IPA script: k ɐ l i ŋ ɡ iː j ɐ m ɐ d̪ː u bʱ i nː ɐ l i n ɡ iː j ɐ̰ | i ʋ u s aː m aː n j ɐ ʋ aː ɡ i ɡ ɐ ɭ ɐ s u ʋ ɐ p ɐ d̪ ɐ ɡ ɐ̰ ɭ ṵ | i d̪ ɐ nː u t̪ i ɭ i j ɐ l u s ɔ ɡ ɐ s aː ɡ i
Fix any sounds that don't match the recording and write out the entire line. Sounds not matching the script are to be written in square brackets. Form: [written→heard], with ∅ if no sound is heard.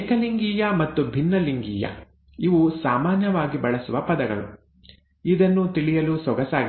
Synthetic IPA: k ɐ l i ŋ ɡ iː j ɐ m ɐ [d̪ː→t̪ː] u bʱ i nː ɐ l i [n→ŋ] ɡ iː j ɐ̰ | i ʋ u s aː m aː n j ɐ ʋ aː ɡ i [ɡ→b] ɐ ɭ ɐ s u ʋ ɐ p ɐ d̪ ɐ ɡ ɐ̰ ɭ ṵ | i d̪ ɐ nː u t̪ i ɭ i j ɐ l u s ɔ ɡ ɐ s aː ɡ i

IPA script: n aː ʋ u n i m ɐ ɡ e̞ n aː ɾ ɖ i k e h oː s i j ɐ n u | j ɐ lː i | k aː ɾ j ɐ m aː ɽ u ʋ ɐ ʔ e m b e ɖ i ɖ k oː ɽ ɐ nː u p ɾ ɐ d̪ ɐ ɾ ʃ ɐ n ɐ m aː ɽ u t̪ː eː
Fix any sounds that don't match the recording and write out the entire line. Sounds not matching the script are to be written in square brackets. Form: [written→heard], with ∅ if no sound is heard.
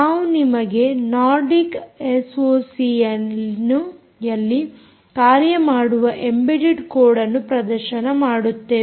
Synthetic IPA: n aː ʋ u n i m ɐ ɡ e̞ n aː ɾ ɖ i k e [h→s] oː s i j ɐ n u | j ɐ lː i | k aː ɾ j ɐ m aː ɽ u ʋ ɐ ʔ e m b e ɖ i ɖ k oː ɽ ɐ nː u p ɾ ɐ d̪ ɐ ɾ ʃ ɐ n ɐ m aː ɽ u t̪ː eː

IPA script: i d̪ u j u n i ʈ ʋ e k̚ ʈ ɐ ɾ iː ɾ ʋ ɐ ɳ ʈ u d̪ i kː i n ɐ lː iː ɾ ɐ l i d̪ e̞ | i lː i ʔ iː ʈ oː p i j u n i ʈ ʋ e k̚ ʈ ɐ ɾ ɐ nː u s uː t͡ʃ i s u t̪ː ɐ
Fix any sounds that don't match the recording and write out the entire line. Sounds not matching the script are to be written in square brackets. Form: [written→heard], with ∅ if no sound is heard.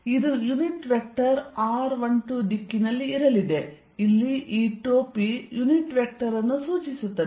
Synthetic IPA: i d̪ u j u n i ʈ ʋ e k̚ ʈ ɐ ɾ [iː→aː] ɾ ʋ ɐ ɳ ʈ u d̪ i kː i n ɐ lː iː ɾ ɐ l i d̪ e̞ | i lː i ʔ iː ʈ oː p i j u n i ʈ ʋ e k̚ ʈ ɐ ɾ ɐ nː u s uː t͡ʃ i s u t̪ː ɐ

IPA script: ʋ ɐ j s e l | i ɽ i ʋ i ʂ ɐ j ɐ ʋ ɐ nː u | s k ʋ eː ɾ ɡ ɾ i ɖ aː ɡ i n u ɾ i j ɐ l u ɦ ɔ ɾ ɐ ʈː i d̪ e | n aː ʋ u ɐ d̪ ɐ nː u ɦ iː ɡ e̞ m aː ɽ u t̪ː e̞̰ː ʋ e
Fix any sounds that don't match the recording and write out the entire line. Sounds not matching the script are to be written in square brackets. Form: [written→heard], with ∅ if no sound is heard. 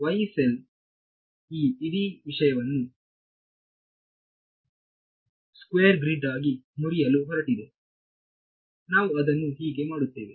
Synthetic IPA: ʋ ɐ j s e l | [i→iː] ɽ i ʋ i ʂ ɐ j ɐ ʋ ɐ nː u | s k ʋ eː ɾ ɡ ɾ i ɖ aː ɡ i [n→m] u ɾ i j ɐ l u ɦ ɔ ɾ ɐ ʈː i d̪ e | n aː ʋ u ɐ d̪ ɐ nː u ɦ iː ɡ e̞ m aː ɽ u t̪ː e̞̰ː ʋ e

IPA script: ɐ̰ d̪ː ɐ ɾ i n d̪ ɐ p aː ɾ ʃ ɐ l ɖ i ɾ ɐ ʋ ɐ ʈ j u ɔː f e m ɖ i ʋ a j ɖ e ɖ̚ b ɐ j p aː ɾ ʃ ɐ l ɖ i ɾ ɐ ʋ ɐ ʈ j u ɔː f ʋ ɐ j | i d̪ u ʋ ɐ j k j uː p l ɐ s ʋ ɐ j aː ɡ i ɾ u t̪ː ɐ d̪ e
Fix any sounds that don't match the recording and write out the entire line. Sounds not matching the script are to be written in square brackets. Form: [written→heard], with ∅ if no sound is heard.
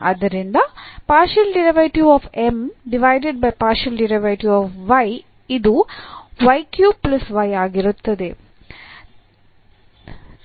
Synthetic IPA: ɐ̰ [d̪ː→d̪] ɐ ɾ i n d̪ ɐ p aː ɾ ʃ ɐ l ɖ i ɾ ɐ ʋ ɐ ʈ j u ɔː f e m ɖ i ʋ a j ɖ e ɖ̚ b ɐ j p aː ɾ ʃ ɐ l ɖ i ɾ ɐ ʋ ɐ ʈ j u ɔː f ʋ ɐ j | i d̪ u ʋ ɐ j k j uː p l ɐ s ʋ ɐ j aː ɡ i ɾ u t̪ː ɐ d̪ e

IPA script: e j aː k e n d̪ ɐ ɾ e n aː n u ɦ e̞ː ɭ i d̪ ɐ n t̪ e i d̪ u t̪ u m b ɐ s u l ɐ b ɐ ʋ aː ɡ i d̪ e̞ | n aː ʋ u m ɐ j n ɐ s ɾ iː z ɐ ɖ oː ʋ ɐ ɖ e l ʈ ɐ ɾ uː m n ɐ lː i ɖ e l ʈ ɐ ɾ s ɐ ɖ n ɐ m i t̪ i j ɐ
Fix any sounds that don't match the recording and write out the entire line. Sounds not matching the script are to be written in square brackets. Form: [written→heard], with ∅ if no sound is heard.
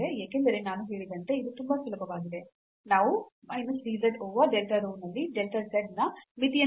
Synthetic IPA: e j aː k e n d̪ ɐ ɾ e n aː n u ɦ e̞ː ɭ i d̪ ɐ n t̪ e i d̪ u t̪ u m b ɐ s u l ɐ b ɐ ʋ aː ɡ i d̪ e̞ | n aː ʋ u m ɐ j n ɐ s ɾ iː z ɐ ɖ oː ʋ ɐ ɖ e l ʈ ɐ ɾ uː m n ɐ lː i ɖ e l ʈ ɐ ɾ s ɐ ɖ n ɐ m i t̪ i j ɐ

